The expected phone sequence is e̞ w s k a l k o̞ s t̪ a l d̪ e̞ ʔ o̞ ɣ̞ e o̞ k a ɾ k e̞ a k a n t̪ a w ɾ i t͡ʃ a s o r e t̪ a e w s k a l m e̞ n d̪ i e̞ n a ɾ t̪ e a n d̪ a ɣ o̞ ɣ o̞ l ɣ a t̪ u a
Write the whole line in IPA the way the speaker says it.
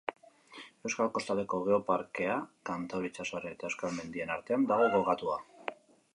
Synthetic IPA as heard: e̞ w s k a l k o̞ s t̪ a l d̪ e̞ k o̞ ɣ̞ e o̞ p a ɾ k e̞ a k a n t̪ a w ɾ i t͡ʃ a s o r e t̪ a e w s k a l m e̞ n d̪ i e̞ n a ɾ t̪ e a n d̪ a ɣ o̞ ɣ o̞ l ɣ a t̪ u a